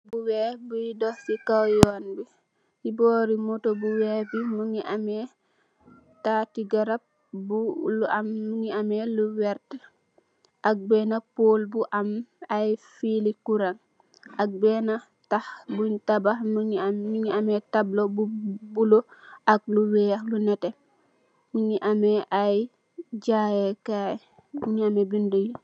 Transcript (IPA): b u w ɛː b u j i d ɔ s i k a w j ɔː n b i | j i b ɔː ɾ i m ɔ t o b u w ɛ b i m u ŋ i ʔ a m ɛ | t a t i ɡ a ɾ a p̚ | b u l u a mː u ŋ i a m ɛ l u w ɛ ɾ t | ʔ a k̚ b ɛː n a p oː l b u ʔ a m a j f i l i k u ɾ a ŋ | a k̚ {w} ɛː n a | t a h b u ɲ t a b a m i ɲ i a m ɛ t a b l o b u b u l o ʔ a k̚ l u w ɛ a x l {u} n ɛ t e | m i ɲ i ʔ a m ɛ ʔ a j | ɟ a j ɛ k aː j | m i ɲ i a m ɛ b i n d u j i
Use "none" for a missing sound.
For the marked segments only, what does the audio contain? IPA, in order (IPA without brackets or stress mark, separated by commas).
b, u